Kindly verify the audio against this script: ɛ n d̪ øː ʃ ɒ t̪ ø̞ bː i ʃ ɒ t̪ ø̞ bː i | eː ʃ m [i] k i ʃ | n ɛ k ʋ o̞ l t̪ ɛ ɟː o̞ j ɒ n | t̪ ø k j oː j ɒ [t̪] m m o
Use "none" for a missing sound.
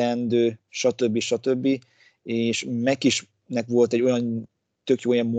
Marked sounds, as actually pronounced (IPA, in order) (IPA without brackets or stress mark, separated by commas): ɛ, none